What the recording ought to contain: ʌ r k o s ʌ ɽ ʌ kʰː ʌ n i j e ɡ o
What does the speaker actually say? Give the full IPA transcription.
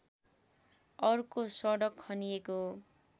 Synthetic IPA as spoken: ʌ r k o s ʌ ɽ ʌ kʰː ʌ n i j e k o